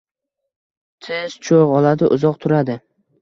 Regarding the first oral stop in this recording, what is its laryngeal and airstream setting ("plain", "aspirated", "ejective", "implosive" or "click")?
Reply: aspirated